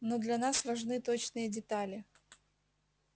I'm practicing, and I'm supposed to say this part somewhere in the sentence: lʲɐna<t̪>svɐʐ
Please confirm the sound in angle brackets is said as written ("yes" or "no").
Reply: no